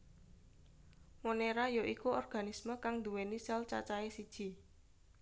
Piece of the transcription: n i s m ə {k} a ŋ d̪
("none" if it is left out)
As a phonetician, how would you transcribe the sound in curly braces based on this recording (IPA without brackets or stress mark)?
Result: k